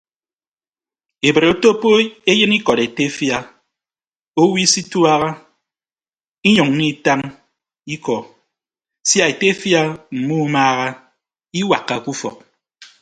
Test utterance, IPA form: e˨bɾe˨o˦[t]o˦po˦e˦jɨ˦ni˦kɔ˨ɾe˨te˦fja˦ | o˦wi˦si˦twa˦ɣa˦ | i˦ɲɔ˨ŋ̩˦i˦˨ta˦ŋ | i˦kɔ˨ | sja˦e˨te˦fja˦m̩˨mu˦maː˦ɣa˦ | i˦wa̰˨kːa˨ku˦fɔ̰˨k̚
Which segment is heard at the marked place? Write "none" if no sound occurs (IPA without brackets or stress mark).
t